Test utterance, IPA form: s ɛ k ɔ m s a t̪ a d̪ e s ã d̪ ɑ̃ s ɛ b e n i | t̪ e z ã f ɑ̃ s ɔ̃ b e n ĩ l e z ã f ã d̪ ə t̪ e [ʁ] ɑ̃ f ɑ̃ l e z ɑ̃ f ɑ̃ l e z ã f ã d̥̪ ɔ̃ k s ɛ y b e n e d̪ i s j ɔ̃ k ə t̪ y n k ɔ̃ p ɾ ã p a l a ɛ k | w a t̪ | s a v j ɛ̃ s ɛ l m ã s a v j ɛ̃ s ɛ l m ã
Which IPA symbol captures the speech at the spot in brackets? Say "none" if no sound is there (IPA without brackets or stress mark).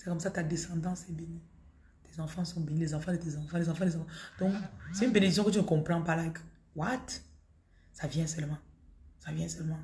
z